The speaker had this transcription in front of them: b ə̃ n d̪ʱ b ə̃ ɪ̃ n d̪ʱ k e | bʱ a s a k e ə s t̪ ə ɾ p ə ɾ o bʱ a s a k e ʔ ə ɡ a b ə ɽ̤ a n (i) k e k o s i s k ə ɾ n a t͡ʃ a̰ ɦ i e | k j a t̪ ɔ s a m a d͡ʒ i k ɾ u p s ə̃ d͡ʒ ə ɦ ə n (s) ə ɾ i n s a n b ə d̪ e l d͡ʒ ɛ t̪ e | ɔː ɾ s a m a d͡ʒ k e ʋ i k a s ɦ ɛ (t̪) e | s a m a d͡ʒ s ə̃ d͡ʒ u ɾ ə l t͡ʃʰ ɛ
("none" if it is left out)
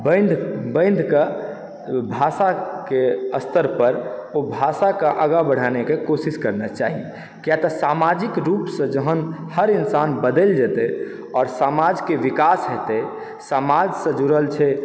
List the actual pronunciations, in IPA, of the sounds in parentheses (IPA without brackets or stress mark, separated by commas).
e, h, t̪